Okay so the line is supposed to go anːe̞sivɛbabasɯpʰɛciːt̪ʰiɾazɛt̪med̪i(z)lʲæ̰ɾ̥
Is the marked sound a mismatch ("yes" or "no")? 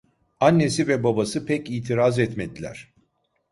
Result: yes